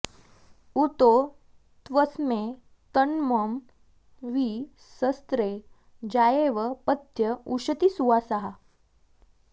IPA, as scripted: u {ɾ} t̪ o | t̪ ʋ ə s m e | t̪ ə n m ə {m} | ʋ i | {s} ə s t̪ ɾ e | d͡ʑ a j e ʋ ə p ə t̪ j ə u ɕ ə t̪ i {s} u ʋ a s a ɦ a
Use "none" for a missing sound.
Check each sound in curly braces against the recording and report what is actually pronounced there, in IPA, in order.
none, m, s, s

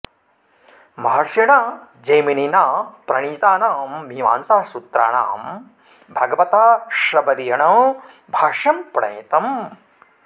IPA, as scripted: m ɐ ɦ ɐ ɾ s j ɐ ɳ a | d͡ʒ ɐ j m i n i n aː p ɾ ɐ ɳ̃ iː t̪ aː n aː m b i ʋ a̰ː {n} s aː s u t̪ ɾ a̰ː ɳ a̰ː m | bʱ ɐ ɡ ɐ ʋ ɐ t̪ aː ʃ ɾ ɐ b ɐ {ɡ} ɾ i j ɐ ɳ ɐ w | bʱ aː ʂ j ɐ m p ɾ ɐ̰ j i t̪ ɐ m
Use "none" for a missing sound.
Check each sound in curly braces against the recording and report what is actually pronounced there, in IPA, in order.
n, none

